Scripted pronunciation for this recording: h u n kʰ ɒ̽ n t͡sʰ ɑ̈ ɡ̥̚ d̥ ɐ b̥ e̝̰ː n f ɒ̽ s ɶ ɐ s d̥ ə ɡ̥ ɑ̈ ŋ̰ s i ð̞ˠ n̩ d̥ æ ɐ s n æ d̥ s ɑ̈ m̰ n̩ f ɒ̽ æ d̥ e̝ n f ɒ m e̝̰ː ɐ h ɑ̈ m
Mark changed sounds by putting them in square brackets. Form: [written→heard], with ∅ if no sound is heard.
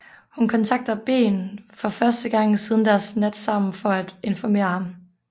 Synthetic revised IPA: h u n kʰ ɒ̽ n t͡sʰ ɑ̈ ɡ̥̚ d̥ ɐ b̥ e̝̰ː n f ɒ̽ [s→f] ɶ ɐ s d̥ ə ɡ̥ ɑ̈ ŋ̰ s i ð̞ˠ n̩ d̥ æ ɐ s n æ d̥ s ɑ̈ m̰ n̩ f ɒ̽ æ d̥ e̝ n f ɒ m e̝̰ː ɐ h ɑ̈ m